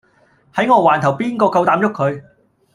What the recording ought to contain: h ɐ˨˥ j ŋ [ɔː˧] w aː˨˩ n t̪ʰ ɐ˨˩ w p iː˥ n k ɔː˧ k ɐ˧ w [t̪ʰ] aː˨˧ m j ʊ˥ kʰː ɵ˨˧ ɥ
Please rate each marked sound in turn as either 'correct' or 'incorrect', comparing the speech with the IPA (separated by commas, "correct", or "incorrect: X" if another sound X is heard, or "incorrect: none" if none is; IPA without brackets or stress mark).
correct, incorrect: t̪